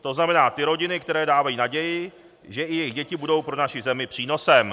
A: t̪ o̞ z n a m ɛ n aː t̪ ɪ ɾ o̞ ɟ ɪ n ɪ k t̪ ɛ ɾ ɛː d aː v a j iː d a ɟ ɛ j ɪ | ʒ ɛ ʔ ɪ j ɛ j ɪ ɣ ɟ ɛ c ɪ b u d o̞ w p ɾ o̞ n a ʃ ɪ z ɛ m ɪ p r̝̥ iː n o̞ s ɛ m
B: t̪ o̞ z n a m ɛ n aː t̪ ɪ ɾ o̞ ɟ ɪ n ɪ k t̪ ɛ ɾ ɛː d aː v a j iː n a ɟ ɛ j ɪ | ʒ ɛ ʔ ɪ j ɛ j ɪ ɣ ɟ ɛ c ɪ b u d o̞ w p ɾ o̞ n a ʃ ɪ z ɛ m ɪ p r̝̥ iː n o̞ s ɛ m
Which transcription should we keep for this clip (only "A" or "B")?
B